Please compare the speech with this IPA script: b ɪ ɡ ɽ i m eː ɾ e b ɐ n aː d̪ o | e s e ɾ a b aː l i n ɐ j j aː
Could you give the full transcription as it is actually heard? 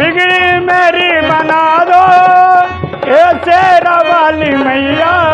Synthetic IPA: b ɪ ɡ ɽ i m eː ɾ i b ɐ n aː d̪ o | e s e ɾ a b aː l i m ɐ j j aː